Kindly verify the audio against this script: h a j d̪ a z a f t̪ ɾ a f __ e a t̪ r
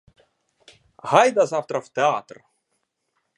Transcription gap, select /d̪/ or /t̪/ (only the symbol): t̪